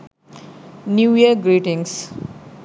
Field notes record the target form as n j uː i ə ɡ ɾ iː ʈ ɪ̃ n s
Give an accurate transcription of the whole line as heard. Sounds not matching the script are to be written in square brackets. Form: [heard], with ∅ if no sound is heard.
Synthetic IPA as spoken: n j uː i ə ɡ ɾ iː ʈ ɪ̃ [ŋ] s